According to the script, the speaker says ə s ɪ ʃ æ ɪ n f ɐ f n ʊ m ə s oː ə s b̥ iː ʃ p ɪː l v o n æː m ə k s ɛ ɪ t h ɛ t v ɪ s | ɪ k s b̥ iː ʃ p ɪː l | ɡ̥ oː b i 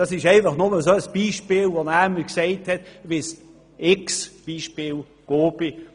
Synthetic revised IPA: ɑ s ɪ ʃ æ ɪ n f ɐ χ n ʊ m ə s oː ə s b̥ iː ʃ p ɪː l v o n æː m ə k s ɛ ɪ t h ɛ t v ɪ s | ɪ k s b̥ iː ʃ p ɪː l | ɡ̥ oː b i